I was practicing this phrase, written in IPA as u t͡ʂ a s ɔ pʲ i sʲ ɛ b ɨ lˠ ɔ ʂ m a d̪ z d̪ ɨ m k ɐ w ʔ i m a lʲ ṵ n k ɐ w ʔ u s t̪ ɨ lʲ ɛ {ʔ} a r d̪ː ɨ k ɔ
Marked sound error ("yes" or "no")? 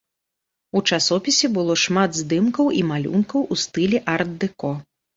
no